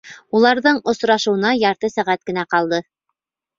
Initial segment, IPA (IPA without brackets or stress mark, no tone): u